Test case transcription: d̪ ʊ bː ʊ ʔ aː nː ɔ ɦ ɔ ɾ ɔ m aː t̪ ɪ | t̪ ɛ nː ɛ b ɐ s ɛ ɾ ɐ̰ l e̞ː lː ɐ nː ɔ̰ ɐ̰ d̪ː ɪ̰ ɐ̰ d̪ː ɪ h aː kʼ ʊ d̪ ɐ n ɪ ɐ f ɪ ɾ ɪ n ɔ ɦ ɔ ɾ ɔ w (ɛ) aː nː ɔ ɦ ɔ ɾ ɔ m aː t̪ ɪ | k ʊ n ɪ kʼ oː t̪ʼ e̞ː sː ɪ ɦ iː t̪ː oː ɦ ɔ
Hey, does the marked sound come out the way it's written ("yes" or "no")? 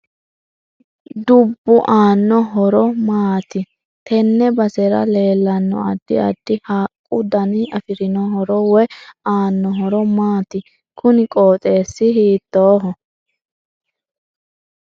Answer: yes